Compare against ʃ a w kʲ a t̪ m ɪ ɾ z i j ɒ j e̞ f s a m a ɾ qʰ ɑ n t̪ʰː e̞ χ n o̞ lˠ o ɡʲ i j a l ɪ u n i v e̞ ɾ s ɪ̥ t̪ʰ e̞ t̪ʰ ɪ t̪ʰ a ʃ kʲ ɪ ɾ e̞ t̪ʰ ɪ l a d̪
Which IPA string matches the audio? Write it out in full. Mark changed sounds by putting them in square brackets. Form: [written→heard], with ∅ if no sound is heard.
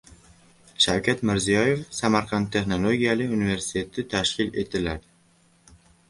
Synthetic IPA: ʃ a w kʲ a t̪ m ɪ ɾ z i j ɒ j e̞ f s a m a ɾ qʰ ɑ n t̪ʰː e̞ χ n o̞ lˠ o ɡʲ i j a l ɪ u n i v e̞ ɾ s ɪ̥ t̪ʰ e̞ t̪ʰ ɪ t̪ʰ a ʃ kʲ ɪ [ɾ→l] e̞ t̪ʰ ɪ l a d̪